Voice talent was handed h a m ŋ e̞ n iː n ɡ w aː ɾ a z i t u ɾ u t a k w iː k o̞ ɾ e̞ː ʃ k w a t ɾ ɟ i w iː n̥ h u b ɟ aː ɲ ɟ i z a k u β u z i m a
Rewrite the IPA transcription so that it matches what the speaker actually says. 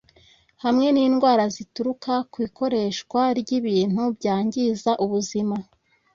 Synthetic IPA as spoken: h a m ŋ e̞ n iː n ɡ w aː ɾ a z i t u ɾ u k a k w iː k o̞ ɾ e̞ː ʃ k w a ɾ ɟ i β iː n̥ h u b ɟ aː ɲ ɟ i z a ʔ u β u z i m a

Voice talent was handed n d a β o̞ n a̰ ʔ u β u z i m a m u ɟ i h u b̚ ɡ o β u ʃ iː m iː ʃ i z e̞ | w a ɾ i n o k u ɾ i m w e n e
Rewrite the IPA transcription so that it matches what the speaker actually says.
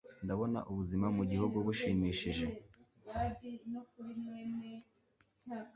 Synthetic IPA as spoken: n d a β o̞ n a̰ ʔ u β u z i m a m u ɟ i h u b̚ ɡ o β u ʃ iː m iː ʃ i ʒ e̞ | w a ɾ i n o k u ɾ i m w e n e

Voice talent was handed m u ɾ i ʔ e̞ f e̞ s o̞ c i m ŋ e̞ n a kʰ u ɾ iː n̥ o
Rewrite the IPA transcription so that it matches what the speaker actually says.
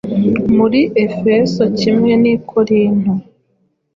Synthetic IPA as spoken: m u ɾ i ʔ e̞ f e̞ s o̞ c i m ŋ e̞ n i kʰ o ɾ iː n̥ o

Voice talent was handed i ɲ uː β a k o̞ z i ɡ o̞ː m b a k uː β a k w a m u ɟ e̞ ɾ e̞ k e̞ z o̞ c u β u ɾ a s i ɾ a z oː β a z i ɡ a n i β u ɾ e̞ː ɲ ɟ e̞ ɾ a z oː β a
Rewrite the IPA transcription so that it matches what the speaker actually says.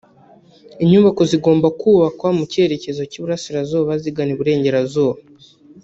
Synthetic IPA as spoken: i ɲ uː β a k o̞ z i ɡ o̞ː m b a k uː β a k w a m u c e̞ ɾ e̞ c e̞ z o̞ c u β u ɾ a s i ɾ a z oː β a z i ɡ a n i β u ɾ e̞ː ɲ ɟ e̞ ɾ a z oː β a

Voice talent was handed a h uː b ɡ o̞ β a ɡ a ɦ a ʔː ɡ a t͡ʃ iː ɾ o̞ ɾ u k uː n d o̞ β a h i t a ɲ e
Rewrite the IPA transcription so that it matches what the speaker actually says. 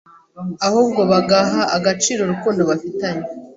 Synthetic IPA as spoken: a h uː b ɡ o̞ β a ɡ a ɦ a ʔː ɡ a t͡ʃ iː ɾ o̞ ɾ u k uː n d o̞ β a f i t a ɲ e

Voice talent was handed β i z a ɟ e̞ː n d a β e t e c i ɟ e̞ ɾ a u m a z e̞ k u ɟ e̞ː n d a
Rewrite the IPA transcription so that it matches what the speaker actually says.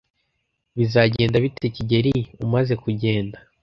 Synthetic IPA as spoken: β i z a ɟ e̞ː n d a β i t e c i ɟ e̞ ɾ i u m a z e̞ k u ɟ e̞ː n d a

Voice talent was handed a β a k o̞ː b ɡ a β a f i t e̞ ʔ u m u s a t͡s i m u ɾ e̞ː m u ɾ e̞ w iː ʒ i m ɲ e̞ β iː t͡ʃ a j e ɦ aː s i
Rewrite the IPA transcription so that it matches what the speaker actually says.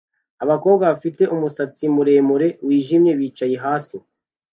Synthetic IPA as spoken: a β a k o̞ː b ɡ a β a f i t e̞ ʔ u m u s a t͡s i m u ɾ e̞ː m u ɾ e̞ w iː ʒ i m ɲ e̞ β iː t͡ʃ a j e ɦ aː s i

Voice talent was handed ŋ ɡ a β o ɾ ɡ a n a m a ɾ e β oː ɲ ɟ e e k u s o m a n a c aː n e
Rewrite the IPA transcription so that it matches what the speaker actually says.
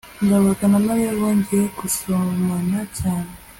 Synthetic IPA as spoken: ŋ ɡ a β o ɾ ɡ a n a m a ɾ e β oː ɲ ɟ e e k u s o m a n a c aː n e

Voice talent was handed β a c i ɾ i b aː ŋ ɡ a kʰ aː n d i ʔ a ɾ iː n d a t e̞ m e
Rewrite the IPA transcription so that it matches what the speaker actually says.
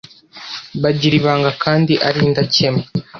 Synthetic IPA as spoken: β a ɟ i ɾ i β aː ŋ ɡ a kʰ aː n d i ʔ a ɾ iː n d a c e̞ m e

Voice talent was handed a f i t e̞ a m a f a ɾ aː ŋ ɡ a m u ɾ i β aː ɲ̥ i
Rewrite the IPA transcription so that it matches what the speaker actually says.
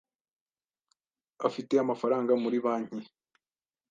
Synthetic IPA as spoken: a f i t e̞ a m a f a ɾ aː ŋ ɡ a m u ɾ i β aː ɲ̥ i

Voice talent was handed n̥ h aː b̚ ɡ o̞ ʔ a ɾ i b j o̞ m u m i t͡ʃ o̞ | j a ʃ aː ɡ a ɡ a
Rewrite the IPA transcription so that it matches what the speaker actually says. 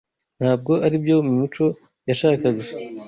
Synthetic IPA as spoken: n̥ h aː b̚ ɡ o̞ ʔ a ɾ i b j o̞ m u m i t͡ʃ o̞ | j a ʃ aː k a ɡ a

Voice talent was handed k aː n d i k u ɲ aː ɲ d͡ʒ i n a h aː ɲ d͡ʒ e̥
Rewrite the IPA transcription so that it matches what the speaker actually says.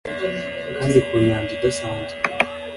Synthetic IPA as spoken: k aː n d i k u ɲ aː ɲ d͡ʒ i d a s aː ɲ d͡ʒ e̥

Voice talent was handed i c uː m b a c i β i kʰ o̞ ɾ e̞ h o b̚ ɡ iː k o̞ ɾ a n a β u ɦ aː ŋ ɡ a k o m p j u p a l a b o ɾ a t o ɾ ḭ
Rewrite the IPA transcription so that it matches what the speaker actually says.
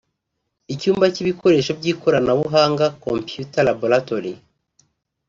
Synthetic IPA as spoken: i c uː m b a c i β i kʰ o̞ ɾ e̞ ʃ o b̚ ɟ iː k o̞ ɾ a n a β u ɦ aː ŋ ɡ a k o m p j u t a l a b o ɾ a t o ɾ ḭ

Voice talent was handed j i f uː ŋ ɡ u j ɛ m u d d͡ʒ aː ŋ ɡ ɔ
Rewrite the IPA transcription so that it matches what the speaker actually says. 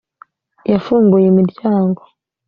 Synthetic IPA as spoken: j a f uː ŋ ɡ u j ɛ m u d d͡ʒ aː ŋ ɡ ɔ

